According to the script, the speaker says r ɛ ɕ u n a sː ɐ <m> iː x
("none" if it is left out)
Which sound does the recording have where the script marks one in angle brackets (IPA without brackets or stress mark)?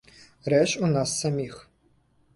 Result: m